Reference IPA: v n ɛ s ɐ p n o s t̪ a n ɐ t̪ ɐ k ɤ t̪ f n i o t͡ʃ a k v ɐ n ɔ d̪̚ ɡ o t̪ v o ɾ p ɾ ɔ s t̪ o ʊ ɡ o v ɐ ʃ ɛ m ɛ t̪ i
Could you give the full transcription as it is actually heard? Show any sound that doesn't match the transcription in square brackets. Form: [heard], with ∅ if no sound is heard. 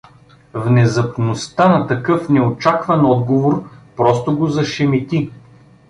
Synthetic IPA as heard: v n ɛ [z] ɐ p n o s t̪ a n ɐ t̪ ɐ k ɤ [∅] f n [ɛ] o t͡ʃ a k v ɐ n ɔ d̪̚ ɡ o [∅] v o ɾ p ɾ ɔ s t̪ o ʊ ɡ o [z] ɐ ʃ ɛ m [i] t̪ i